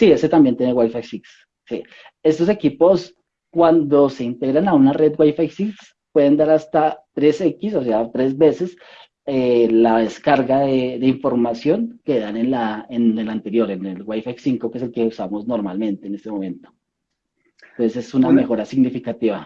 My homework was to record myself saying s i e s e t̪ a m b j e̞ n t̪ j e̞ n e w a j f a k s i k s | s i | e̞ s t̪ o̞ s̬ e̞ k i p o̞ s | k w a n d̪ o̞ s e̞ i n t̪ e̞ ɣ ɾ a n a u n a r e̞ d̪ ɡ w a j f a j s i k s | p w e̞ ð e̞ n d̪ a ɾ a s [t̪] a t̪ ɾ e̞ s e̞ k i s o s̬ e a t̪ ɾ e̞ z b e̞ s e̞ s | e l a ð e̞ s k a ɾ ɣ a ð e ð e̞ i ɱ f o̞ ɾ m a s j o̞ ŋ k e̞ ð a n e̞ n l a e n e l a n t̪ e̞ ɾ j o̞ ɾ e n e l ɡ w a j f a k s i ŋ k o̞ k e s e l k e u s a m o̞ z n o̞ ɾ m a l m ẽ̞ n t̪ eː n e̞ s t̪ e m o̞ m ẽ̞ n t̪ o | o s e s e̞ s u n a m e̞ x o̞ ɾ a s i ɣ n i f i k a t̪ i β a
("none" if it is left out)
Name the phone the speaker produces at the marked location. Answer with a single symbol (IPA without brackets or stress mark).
t̪